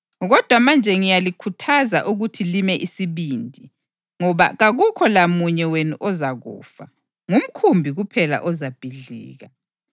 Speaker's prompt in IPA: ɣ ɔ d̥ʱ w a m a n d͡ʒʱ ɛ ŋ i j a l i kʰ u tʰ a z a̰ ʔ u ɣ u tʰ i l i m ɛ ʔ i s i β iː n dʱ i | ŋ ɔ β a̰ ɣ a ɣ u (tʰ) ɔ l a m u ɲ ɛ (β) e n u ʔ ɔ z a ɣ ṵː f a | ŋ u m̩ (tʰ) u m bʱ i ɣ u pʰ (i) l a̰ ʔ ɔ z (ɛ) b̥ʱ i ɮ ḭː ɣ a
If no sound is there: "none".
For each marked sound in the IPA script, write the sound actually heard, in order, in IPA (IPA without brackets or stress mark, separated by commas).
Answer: kʰ, w, kʰ, ɛ, a